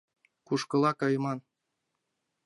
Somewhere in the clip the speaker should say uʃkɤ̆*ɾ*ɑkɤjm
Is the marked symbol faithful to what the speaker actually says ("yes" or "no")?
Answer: no